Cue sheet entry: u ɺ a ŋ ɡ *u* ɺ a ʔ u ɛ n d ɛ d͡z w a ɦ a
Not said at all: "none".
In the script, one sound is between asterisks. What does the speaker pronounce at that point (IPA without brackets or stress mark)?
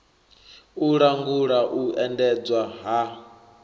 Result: u